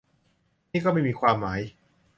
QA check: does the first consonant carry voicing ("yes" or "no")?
yes